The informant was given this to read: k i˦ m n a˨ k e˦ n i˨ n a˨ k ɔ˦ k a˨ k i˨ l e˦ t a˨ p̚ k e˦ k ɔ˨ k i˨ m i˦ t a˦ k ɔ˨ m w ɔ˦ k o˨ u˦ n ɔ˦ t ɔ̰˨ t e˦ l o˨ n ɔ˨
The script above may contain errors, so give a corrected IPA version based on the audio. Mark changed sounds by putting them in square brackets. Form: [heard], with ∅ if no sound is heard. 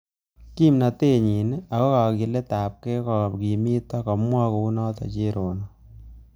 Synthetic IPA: k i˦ m n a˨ [t] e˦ [ɲ] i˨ n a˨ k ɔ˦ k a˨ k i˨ l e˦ t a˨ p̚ k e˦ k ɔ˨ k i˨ m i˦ t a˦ k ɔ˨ m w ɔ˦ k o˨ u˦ n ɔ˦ t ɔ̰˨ [t͡ʃ] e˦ [ɾ] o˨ n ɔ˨